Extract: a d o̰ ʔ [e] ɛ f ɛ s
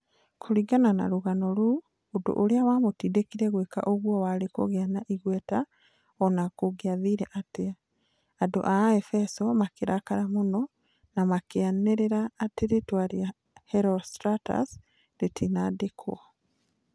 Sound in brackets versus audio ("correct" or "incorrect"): incorrect